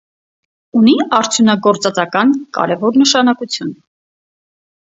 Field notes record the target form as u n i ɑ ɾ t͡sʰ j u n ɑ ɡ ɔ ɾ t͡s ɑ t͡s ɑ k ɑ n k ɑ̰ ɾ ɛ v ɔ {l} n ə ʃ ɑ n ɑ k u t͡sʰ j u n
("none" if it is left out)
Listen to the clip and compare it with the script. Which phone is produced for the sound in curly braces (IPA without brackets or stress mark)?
ɾ